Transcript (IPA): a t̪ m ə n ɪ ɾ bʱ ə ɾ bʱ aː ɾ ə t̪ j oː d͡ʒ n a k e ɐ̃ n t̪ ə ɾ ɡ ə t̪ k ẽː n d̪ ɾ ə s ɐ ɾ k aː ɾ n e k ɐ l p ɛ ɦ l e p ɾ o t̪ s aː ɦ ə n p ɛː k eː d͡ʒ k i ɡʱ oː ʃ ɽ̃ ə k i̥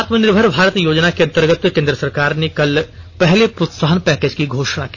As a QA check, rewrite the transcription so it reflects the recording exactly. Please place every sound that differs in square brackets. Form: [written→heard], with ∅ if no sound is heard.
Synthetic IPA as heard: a t̪ m ə n ɪ ɾ bʱ ə ɾ bʱ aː ɾ ə t̪ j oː d͡ʒ n a k e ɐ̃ n t̪ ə ɾ ɡ ə t̪ k ẽː n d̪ ɾ ə s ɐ ɾ k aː ɾ n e k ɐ l p ɛ ɦ l e p ɾ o t̪ s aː ɦ ə n p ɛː k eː d͡ʒ k i ɡʱ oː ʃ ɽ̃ [ə→a] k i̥